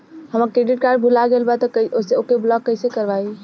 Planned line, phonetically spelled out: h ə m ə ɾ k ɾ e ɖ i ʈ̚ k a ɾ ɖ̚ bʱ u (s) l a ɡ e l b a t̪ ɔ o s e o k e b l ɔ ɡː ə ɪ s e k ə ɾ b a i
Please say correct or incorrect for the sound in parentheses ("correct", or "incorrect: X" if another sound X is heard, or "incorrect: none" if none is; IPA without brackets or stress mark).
incorrect: none